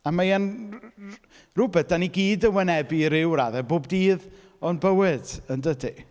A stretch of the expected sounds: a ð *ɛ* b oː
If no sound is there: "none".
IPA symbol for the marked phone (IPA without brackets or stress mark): ɛ